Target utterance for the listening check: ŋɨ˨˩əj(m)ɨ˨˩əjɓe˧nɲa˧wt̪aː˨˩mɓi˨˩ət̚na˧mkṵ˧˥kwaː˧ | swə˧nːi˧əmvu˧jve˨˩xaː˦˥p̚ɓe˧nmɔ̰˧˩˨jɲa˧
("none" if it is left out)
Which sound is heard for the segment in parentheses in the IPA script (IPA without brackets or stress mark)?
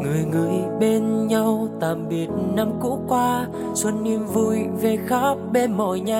ŋ